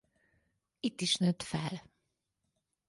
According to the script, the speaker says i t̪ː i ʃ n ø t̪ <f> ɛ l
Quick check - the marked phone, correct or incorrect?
correct